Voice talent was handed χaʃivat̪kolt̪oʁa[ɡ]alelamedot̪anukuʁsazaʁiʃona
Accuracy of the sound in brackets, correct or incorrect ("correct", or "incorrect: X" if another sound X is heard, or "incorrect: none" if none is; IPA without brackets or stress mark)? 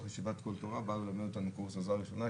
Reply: incorrect: b